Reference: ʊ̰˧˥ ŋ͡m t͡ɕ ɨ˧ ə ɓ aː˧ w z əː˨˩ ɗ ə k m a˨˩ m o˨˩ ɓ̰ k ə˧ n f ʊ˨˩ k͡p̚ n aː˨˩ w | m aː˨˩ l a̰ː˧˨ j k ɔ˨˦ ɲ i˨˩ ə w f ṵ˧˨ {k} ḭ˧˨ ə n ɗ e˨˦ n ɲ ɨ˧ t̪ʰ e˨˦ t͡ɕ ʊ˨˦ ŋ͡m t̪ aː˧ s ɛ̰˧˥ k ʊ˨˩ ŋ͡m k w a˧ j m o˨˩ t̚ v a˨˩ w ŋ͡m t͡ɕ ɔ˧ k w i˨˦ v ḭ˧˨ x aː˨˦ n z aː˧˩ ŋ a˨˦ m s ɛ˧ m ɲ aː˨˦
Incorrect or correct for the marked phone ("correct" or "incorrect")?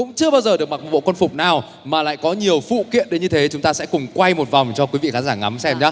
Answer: correct